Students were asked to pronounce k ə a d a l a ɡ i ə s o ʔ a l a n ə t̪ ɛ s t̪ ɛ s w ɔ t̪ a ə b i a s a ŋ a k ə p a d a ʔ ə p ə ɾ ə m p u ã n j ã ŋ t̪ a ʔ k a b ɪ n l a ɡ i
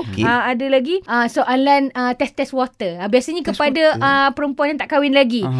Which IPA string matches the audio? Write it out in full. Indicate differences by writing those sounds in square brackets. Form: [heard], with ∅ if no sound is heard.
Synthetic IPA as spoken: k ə a d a l a ɡ i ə s o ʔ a l a n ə t̪ ɛ s t̪ ɛ s w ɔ t̪ [ə] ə b i a s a [ɲ] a k ə p a d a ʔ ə p ə ɾ ə m p u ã n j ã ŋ t̪ a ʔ k a [w] ɪ n l a ɡ i